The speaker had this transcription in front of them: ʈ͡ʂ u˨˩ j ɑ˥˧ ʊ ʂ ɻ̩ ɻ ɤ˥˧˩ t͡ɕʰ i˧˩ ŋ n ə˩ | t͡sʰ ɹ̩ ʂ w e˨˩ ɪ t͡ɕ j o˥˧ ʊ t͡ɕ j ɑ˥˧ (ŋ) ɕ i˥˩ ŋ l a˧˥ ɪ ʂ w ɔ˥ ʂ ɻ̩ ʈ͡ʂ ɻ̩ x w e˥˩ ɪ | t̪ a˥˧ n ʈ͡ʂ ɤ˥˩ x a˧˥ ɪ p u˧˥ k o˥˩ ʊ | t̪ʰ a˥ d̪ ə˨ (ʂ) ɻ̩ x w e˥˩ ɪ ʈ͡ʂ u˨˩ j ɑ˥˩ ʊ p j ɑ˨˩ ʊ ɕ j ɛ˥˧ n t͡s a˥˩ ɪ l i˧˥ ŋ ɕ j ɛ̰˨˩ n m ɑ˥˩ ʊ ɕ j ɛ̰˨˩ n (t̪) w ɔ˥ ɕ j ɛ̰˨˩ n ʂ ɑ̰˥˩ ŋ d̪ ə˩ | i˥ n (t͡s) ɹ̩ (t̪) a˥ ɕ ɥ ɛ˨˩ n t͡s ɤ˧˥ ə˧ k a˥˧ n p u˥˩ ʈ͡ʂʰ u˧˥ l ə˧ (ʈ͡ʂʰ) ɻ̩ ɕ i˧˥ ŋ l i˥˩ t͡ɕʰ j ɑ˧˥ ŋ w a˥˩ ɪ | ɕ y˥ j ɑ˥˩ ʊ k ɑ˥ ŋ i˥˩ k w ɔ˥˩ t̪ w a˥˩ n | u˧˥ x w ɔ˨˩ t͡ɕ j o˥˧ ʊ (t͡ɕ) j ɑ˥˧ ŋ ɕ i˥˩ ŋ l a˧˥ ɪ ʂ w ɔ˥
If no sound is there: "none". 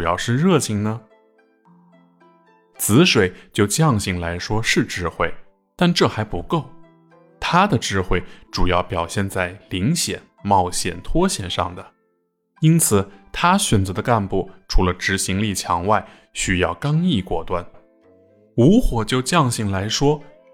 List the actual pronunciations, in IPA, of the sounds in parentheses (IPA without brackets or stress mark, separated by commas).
ŋ, ʈ͡ʂ, t̪ʰ, t͡sʰ, t̪ʰ, ʈ͡ʂ, t͡ɕ